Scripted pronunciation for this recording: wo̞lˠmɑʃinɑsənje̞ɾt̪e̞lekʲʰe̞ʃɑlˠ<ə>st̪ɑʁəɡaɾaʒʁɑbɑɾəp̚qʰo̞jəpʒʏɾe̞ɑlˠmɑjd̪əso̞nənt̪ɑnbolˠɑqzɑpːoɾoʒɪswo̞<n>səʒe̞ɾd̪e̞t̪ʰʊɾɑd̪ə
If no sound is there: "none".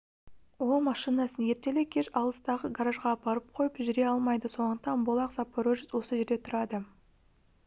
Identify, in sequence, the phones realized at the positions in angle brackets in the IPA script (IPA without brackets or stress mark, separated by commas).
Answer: ə, none